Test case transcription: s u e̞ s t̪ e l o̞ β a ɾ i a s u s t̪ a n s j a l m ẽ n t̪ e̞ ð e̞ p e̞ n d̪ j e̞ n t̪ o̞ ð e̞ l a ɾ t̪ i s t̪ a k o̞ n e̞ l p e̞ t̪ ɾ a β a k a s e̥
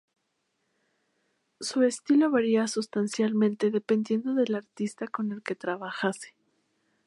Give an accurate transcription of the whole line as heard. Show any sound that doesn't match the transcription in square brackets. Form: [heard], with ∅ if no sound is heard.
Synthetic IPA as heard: s u e̞ s t̪ [i] l o̞ β a ɾ i a s u s t̪ a n s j a l m ẽ n t̪ e̞ ð e̞ p e̞ n d̪ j e̞ n [d̪] o̞ ð e̞ l a ɾ t̪ i s t̪ a k o̞ n e̞ l [k] e̞ t̪ ɾ a β a [x] a s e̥

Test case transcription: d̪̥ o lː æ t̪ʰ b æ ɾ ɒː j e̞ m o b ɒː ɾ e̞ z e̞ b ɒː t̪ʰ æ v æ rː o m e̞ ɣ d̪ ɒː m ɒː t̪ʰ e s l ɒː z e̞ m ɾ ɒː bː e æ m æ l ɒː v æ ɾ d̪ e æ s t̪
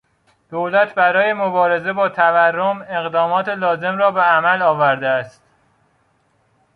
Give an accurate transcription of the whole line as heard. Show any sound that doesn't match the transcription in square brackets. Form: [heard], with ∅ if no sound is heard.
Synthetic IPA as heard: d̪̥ o [l] æ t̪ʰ b æ ɾ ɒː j e̞ m o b ɒː ɾ e̞ z e̞ b ɒː t̪ʰ æ v æ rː o m e̞ ɣ d̪ ɒː m ɒː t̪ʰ e [∅] l ɒː z e̞ m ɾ ɒː [b] e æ m æ l ɒː v æ ɾ d̪ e æ s t̪

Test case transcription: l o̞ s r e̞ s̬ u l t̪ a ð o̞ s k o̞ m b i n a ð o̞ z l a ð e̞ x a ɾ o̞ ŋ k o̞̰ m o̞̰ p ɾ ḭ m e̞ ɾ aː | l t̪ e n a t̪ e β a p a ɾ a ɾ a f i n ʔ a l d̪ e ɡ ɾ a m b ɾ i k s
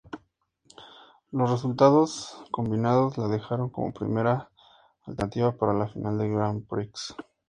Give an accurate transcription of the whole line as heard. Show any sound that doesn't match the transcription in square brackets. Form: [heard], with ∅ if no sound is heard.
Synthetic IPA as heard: l o̞ s r e̞ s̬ u l t̪ a ð o̞ s k o̞ m b i n a ð o̞ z l a ð e̞ x a ɾ o̞ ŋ k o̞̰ m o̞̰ p ɾ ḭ m e̞ ɾ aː | l t̪ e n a t̪ [i] β a p a ɾ a [l] a f i n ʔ a l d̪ e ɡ ɾ a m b ɾ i k s

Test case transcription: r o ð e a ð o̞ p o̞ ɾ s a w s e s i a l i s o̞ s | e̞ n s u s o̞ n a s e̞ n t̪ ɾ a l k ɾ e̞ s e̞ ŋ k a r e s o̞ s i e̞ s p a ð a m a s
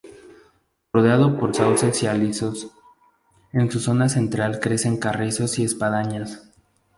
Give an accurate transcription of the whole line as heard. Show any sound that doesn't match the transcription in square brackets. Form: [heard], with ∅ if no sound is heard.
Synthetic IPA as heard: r o ð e a ð o̞ p o̞ ɾ s a w s e s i a l i s o̞ s | e̞ n s u s o̞ n a s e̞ n t̪ ɾ a l k ɾ e̞ s e̞ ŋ k a r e s o̞ s i e̞ s p a ð a [ɲ] a s

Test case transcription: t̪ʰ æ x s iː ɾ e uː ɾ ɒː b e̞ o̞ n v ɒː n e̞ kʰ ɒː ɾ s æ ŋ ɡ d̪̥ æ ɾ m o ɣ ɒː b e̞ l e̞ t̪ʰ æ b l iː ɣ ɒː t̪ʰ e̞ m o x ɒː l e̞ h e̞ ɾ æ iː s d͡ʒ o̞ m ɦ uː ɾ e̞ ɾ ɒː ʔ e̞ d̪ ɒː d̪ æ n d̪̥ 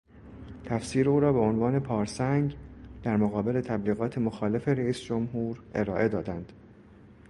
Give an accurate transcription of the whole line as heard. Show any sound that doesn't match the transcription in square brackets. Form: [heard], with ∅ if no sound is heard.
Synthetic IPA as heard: t̪ʰ æ [f] s iː ɾ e uː ɾ ɒː b e̞ o̞ n v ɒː n e̞ [pʰ] ɒː ɾ s æ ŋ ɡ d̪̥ æ ɾ m o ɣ ɒː b e̞ l e̞ t̪ʰ æ b l iː ɣ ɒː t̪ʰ e̞ m o x ɒː l e̞ [f] e̞ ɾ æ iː s d͡ʒ o̞ m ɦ uː ɾ e̞ ɾ ɒː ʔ e̞ d̪ ɒː d̪ æ n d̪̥

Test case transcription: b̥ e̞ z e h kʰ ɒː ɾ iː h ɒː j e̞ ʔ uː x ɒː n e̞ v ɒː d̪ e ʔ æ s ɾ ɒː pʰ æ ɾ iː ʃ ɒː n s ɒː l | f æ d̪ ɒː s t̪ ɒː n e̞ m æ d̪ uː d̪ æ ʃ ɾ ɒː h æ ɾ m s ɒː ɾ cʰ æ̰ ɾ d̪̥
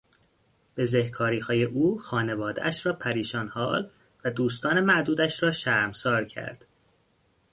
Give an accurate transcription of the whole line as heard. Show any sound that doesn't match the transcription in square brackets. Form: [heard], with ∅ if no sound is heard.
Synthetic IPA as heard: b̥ e̞ z e h kʰ ɒː ɾ iː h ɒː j e̞ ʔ uː x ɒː n e̞ v ɒː d̪ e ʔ æ [ʃ] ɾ ɒː pʰ æ ɾ iː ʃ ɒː n [h] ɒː l | [v] æ d̪ [uː] s t̪ ɒː n e̞ m æ d̪ uː d̪ æ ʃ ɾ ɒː [ʃ] æ ɾ m s ɒː ɾ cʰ æ̰ ɾ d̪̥

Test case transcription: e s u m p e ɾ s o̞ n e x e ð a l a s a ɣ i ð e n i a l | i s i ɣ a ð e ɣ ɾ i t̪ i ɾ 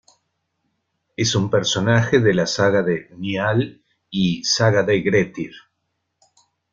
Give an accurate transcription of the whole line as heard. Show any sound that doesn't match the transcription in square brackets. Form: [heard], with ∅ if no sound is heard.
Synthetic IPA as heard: e s u m p e ɾ s o̞ n [a] x e ð [e] l a s a ɣ [a] ð e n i a l | i s [a] ɣ a ð e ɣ ɾ [e] t̪ i ɾ

